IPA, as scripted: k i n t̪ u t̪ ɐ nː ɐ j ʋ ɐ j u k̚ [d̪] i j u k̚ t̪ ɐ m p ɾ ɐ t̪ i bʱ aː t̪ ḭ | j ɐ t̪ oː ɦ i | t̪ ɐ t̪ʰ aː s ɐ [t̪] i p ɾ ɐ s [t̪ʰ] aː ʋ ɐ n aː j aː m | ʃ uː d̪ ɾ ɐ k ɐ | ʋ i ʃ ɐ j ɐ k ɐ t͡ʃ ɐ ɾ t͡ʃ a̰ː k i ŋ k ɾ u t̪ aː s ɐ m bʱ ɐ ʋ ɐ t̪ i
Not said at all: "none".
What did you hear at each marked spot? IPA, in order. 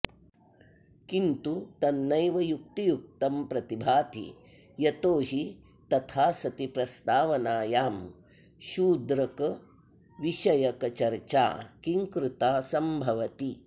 t̪, t̪, t̪

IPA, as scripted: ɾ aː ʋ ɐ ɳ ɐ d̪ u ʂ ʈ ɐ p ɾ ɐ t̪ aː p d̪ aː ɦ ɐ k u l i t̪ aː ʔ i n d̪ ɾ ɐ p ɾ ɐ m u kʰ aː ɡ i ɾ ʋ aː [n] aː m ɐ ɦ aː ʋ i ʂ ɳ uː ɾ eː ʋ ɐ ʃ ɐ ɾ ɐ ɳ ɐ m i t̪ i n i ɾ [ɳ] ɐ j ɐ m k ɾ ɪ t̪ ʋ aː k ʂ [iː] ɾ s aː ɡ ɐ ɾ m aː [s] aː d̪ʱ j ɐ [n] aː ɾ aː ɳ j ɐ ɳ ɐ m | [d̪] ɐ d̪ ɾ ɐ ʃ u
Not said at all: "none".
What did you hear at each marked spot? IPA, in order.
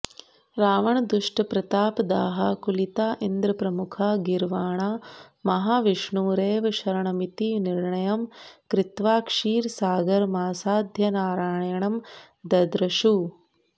ɳ, ɳ, iː, s, n, d̪

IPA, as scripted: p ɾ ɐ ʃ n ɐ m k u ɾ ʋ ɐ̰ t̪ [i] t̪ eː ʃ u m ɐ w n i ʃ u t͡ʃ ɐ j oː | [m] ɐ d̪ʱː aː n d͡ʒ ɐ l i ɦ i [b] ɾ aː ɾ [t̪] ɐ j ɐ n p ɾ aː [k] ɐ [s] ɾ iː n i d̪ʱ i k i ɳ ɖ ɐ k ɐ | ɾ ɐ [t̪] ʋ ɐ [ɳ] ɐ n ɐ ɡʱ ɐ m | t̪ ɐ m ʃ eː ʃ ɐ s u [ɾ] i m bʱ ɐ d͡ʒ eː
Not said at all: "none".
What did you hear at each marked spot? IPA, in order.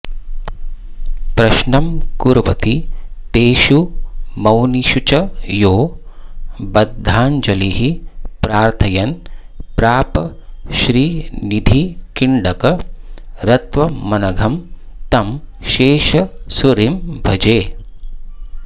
i, b, p, t̪ʰ, p, ʃ, t̪, m, ɾ

